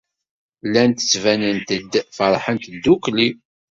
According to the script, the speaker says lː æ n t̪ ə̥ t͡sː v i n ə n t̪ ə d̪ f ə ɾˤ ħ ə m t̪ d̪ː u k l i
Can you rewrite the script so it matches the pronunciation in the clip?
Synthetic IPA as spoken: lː æ n t̪ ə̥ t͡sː v æ n ə n t̪ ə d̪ f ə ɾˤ ħ ə n t̪ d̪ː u k l i